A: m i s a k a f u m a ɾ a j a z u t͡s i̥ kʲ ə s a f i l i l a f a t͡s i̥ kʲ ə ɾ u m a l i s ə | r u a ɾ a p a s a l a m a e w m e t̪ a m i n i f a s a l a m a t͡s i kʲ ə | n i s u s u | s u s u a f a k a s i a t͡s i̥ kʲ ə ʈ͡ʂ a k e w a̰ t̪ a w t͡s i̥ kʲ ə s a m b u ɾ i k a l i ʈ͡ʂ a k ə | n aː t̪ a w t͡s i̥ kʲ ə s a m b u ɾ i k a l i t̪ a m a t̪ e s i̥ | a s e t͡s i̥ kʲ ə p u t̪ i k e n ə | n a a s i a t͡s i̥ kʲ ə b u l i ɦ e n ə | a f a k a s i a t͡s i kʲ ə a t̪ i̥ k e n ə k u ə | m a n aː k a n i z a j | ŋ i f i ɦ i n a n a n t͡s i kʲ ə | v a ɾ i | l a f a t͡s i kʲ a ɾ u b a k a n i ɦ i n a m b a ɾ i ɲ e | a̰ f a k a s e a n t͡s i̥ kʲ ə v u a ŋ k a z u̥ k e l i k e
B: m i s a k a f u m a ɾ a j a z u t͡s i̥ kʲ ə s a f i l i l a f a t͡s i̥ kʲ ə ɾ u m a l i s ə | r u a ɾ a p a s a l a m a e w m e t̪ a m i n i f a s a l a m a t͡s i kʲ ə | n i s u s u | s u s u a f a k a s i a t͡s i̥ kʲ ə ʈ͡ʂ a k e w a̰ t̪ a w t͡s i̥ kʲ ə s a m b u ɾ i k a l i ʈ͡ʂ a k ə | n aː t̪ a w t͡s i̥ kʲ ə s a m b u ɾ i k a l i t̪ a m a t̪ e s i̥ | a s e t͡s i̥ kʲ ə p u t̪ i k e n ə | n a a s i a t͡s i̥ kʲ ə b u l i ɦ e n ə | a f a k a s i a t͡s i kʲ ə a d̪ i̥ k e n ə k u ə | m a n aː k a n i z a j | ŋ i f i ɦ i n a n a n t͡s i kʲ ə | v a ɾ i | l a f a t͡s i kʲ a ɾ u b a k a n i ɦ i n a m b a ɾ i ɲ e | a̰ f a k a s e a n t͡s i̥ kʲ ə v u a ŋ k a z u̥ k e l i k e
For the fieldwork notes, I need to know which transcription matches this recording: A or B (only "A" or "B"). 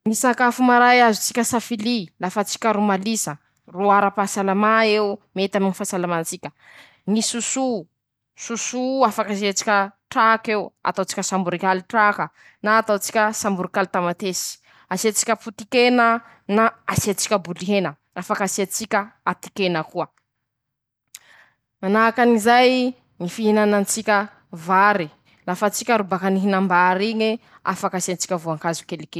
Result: A